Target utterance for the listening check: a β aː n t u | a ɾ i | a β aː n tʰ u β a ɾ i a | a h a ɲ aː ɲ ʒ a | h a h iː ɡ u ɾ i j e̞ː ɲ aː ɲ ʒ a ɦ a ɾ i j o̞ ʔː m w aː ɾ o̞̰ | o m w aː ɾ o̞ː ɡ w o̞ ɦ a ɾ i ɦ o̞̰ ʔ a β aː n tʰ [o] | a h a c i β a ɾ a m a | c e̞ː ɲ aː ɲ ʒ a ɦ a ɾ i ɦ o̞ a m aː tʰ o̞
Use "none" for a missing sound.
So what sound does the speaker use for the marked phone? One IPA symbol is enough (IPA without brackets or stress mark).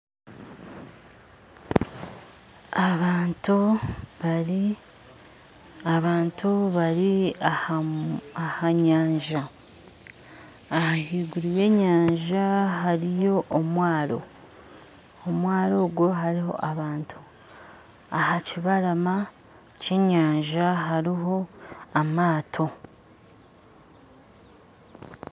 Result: u